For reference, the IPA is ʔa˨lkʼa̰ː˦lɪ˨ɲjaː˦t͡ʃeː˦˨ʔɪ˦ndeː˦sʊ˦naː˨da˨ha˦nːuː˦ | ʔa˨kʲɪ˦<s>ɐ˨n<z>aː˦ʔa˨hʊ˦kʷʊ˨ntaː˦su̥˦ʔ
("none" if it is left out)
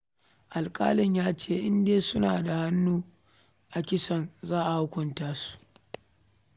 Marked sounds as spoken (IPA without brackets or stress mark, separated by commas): s, z